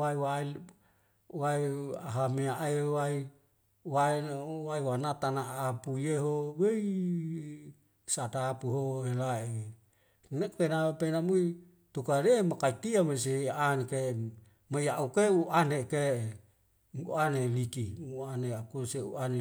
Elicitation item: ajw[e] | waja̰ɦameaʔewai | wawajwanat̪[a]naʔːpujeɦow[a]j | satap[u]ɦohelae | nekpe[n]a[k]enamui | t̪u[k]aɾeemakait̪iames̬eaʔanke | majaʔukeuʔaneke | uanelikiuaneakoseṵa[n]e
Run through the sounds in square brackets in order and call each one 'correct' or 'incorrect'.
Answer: incorrect, correct, incorrect, correct, correct, incorrect, correct, correct

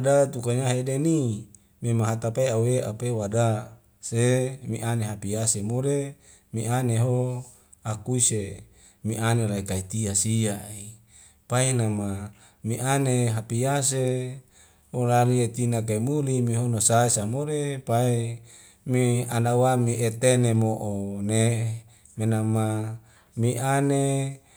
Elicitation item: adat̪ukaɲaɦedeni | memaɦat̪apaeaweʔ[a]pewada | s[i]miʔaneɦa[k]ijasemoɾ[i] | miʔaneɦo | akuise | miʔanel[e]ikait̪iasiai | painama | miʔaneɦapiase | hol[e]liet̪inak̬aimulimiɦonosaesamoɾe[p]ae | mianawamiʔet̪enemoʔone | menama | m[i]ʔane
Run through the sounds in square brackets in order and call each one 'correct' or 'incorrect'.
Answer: correct, incorrect, incorrect, incorrect, incorrect, incorrect, correct, correct

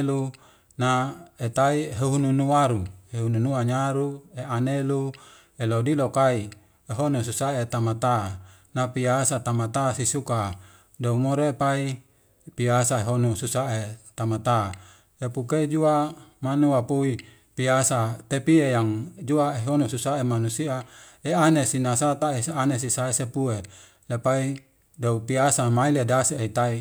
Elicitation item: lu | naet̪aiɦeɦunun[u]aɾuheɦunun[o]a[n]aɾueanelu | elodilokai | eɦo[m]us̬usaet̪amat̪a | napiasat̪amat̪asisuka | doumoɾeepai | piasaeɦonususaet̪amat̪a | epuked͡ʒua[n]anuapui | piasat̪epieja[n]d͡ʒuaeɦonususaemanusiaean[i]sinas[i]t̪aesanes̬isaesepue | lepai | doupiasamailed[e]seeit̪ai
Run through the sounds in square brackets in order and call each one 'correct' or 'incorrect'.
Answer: correct, incorrect, incorrect, incorrect, incorrect, incorrect, incorrect, incorrect, incorrect

